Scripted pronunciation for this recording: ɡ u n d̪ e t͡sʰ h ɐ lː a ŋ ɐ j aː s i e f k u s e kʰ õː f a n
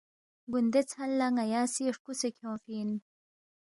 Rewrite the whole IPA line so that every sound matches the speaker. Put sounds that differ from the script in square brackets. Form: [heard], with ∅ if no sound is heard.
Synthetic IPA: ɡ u n d̪ e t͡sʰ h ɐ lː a ŋ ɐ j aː s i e [ʂ] k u s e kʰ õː f [i] n